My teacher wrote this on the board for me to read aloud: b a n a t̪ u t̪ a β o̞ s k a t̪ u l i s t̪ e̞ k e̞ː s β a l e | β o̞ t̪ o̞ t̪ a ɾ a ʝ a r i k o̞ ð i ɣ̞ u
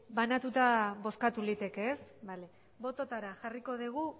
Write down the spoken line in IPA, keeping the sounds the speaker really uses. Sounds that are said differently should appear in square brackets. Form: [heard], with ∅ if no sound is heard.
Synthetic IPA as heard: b a n a t̪ u t̪ a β o̞ s k a t̪ u l i [∅] t̪ e̞ k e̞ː s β a l e | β o̞ t̪ o̞ t̪ a ɾ a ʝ a r i k o̞ ð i ɣ̞ u